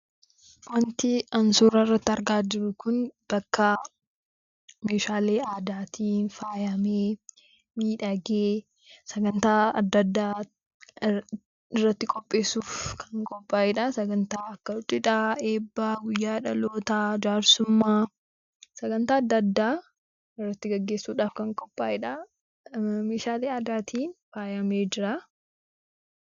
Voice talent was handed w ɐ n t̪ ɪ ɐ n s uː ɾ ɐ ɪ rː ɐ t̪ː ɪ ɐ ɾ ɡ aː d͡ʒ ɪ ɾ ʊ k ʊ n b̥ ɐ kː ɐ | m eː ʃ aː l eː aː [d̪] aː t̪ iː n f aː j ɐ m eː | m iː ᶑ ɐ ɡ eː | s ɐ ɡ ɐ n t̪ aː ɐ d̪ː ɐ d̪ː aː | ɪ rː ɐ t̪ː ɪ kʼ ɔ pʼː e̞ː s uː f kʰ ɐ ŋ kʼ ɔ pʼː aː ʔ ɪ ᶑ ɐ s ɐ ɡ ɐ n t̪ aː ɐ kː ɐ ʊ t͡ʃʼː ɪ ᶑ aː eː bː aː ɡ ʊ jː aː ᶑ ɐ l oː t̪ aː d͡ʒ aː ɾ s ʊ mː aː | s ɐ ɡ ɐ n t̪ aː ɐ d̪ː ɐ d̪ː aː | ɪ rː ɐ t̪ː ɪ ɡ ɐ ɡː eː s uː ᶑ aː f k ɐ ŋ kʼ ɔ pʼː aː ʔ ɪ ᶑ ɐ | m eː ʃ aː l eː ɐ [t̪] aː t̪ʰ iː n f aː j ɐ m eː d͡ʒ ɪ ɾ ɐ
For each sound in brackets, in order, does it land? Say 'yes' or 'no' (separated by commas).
yes, no